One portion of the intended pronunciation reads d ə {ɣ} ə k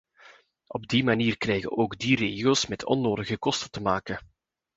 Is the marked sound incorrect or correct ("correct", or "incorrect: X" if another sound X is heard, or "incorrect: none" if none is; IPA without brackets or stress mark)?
correct